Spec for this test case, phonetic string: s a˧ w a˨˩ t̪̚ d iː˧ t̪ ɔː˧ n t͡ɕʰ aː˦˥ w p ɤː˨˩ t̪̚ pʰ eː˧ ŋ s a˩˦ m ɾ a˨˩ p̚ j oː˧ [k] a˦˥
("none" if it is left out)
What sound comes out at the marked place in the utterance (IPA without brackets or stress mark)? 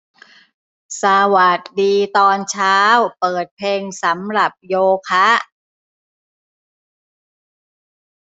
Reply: kʰ